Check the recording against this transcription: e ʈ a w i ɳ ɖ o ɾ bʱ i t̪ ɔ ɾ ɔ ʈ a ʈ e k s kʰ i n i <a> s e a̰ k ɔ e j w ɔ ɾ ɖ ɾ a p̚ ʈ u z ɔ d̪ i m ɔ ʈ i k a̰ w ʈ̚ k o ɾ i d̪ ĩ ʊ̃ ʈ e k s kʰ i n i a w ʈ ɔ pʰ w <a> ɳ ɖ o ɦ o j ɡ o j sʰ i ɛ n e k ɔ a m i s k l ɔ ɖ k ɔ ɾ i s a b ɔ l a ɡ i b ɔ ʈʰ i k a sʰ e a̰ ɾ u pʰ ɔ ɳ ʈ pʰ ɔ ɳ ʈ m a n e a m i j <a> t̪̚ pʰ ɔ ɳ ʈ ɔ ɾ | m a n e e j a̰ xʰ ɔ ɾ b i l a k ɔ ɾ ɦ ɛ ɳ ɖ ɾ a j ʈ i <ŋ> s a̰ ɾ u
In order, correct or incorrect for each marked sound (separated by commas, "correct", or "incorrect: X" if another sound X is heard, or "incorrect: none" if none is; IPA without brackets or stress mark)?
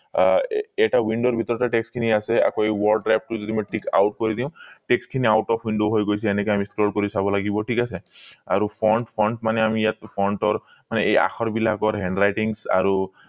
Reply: correct, incorrect: i, correct, correct